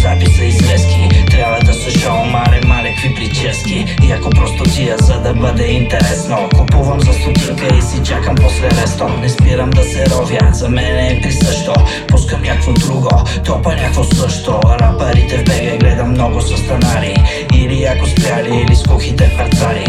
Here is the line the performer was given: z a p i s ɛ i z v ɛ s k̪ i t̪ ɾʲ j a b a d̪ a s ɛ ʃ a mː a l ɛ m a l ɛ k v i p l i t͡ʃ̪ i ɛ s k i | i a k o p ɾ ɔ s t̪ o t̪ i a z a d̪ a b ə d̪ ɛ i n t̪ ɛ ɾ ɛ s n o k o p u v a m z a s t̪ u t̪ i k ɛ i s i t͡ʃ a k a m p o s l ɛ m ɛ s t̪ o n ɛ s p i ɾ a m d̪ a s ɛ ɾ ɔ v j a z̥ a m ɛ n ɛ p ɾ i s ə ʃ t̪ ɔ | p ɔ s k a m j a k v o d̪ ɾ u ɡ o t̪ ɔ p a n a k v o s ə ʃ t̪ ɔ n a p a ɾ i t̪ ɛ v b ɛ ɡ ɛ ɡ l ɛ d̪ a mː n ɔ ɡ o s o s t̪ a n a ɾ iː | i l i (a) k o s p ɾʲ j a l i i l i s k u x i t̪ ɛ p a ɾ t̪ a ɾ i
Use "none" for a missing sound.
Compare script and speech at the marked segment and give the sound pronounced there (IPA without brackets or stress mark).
a